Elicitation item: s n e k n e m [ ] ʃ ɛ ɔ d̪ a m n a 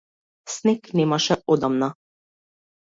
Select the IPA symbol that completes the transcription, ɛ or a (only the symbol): a